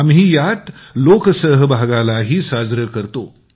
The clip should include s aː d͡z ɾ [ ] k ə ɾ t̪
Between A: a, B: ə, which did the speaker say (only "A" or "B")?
B